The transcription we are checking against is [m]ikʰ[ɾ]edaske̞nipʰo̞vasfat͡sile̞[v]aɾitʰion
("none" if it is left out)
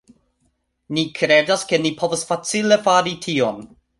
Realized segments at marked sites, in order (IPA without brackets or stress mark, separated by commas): n, ɾ, f